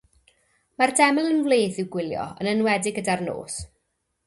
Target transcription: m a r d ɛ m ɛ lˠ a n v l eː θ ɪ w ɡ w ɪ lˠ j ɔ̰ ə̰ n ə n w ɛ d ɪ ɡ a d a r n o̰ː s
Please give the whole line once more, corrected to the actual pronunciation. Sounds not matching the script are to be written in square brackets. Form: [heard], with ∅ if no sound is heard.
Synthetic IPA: m a r d ɛ m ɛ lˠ [ə] n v l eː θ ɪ w ɡ w ɪ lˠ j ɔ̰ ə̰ n ə n w ɛ d ɪ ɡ [ə] d a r n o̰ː s